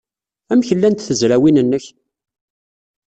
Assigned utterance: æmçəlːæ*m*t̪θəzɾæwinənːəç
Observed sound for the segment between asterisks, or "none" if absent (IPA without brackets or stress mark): n